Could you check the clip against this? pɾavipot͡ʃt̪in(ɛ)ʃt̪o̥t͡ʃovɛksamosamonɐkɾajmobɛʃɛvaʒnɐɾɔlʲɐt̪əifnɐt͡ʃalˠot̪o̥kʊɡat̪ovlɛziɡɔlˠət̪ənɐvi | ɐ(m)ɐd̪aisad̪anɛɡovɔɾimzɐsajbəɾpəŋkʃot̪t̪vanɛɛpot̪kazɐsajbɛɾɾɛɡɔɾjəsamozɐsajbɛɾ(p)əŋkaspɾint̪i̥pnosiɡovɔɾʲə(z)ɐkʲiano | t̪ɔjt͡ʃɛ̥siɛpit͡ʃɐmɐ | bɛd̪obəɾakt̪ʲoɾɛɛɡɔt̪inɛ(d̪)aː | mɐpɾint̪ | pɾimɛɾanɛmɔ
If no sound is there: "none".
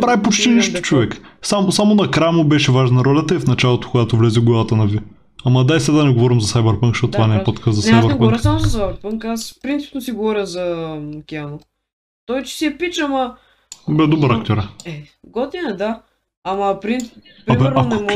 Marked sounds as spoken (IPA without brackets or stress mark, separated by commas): i, m, p, z, d̪